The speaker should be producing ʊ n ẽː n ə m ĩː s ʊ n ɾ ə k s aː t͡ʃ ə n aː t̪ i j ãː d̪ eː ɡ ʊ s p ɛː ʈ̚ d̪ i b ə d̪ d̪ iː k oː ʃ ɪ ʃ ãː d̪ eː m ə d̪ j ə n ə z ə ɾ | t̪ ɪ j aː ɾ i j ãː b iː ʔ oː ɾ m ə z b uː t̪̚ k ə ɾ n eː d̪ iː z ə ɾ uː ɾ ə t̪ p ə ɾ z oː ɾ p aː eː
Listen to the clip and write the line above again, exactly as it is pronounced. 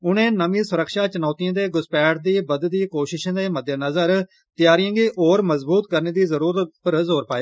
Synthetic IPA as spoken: ʊ n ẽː n ə m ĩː s ʊ ɾ ə k ʃ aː t͡ʃ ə n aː t̪ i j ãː d̪ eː ɡ ʊ s p ɛː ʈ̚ d̪ iː b ə d̪ d̪ iː k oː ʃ ɪ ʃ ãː d̪ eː m ə d̪ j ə n ə z ə ɾ | t̪ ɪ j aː ɾ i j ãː ɡ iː ʔ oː ɾ m ə z b uː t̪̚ k ə ɾ n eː d̪ iː z ə ɾ uː ɾ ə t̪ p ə ɾ z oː ɾ p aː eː